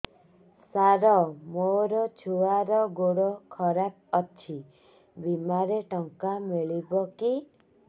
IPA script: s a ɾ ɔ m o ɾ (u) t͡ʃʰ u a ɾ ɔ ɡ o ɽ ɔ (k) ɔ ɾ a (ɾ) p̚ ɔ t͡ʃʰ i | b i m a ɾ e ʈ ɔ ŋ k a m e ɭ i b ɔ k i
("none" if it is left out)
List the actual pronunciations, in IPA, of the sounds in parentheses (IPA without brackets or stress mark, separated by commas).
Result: ɔ, kʰ, none